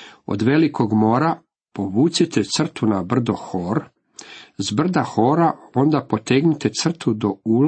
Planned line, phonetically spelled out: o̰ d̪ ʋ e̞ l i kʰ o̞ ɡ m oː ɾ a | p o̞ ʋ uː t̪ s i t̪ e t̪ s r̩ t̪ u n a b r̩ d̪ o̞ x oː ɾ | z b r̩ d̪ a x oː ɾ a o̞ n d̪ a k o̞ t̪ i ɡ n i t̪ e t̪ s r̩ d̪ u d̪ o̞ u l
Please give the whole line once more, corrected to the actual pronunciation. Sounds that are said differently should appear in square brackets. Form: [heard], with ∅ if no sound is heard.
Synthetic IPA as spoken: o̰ d̪ ʋ e̞ l i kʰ o̞ ɡ m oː ɾ a | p o̞ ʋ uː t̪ s i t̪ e t̪ s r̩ t̪ u n a b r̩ d̪ o̞ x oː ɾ | z b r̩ d̪ a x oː ɾ a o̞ n d̪ a [p] o̞ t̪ [e] ɡ n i t̪ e t̪ s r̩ [t̪] u d̪ o̞ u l